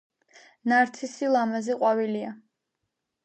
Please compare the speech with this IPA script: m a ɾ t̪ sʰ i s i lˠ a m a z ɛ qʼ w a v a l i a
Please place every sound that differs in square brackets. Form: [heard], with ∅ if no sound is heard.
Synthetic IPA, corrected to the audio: [n] a ɾ t̪ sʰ i s i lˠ a m a z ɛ qʼ w a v [i] l i a